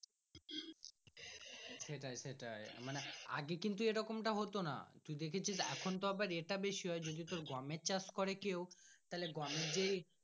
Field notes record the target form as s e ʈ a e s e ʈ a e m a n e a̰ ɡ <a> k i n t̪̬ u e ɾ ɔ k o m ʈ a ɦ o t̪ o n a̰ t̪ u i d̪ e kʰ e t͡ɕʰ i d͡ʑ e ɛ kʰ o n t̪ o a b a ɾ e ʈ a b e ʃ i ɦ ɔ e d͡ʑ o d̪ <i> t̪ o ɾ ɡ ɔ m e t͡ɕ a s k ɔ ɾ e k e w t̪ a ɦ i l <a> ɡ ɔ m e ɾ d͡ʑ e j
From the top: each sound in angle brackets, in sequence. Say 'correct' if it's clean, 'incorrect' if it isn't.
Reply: incorrect: e, correct, incorrect: e

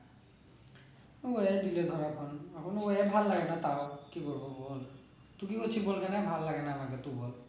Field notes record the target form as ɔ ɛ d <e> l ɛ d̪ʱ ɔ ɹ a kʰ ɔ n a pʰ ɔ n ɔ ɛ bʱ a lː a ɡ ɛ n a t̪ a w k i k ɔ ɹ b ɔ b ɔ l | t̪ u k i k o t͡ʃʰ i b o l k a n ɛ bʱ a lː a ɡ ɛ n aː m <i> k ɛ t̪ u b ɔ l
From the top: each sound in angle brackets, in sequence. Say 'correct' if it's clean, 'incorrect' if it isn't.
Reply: incorrect: i, incorrect: a

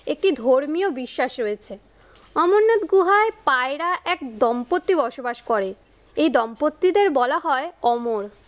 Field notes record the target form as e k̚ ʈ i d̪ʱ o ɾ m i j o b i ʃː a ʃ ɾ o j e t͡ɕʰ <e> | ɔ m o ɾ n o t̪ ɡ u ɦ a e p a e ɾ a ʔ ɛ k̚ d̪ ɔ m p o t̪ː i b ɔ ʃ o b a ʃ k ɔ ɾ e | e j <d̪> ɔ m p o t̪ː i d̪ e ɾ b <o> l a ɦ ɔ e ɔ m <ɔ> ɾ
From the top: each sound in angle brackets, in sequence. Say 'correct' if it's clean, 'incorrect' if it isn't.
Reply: correct, correct, incorrect: ɔ, incorrect: o

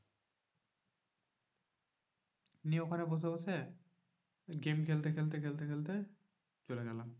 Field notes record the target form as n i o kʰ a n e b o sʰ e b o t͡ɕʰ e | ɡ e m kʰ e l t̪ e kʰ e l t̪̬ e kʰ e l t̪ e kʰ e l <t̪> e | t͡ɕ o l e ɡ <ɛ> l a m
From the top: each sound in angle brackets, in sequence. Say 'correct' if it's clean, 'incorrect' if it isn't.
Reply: correct, correct

